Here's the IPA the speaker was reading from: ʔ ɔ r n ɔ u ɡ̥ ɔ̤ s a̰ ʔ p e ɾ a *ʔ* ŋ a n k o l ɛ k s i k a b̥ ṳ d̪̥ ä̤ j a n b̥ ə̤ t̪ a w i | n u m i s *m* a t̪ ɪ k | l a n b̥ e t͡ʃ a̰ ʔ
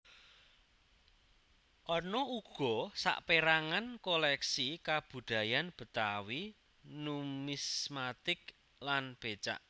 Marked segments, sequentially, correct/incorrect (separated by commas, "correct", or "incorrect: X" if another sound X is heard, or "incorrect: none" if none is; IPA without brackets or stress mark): incorrect: none, correct